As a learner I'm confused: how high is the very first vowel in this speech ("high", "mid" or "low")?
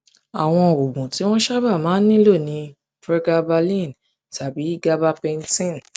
low